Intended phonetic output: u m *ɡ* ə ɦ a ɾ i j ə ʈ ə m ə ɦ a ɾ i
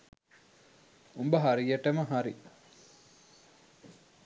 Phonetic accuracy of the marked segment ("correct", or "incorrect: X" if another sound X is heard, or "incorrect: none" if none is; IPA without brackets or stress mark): incorrect: b